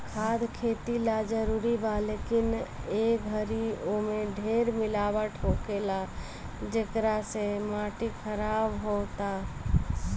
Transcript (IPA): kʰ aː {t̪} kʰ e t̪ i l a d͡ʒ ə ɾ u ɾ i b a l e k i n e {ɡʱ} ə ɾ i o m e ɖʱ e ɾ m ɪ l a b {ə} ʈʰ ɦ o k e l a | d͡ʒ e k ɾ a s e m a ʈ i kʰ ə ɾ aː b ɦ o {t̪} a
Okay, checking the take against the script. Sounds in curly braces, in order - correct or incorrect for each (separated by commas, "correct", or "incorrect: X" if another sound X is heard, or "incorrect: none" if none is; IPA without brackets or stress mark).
incorrect: d̪, correct, correct, correct